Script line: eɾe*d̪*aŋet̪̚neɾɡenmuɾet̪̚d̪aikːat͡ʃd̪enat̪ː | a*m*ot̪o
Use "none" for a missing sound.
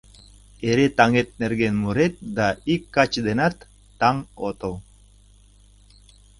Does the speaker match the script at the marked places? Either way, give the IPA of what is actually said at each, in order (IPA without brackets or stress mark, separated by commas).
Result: t̪, ŋ